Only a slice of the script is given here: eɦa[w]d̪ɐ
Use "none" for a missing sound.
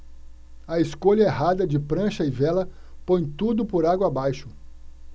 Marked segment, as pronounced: none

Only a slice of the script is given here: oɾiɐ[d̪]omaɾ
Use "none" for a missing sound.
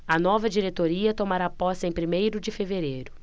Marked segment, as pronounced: t̪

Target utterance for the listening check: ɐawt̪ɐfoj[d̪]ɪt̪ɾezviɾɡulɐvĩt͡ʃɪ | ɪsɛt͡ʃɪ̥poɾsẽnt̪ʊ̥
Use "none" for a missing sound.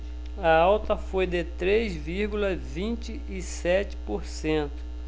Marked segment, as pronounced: d̪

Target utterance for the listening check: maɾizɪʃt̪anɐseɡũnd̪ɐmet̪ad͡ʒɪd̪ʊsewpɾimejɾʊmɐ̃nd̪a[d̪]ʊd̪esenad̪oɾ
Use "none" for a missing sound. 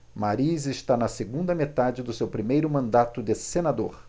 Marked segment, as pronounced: t̪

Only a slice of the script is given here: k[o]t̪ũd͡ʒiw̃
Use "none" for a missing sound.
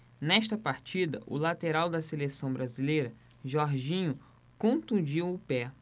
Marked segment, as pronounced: õ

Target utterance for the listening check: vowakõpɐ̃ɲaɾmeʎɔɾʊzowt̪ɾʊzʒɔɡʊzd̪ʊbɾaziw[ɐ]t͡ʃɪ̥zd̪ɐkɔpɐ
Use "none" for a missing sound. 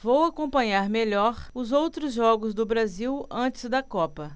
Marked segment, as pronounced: ɐ̃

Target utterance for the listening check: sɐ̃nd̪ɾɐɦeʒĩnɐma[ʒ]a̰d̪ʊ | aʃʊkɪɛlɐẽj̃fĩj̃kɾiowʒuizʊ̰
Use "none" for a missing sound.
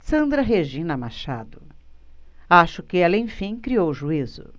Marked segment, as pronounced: ʃ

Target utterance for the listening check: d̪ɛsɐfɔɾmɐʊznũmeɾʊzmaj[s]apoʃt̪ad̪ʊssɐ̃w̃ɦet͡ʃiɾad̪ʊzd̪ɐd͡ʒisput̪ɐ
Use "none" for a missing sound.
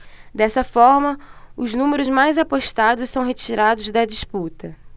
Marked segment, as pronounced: z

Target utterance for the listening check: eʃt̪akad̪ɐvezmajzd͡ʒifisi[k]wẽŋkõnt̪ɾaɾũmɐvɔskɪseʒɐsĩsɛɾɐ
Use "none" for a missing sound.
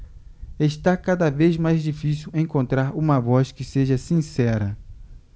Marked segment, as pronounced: none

